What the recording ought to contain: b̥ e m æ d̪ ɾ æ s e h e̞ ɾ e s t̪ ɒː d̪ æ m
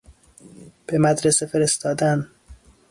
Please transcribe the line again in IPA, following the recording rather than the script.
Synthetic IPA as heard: b̥ e m æ d̪ ɾ e s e f e̞ ɾ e s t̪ ɒː d̪ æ n